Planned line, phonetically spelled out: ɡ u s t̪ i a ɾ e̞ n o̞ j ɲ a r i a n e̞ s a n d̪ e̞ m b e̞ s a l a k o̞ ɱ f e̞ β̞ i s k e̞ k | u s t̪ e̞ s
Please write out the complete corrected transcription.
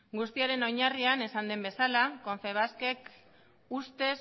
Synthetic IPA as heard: ɡ u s t̪ i a ɾ e̞ n o̞ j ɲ a r i a n e̞ s a n d̪ e̞ m b e̞ s a l a k o̞ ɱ f e̞ β̞ a s k e̞ k | u s t̪ e̞ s